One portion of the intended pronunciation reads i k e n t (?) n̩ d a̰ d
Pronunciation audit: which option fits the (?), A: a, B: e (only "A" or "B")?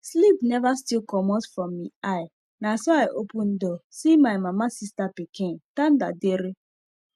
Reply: A